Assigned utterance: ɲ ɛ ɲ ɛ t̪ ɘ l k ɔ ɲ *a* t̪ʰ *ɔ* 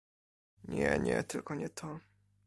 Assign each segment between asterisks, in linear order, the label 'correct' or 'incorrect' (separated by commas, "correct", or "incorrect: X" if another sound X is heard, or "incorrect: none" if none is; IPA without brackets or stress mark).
incorrect: ɛ, correct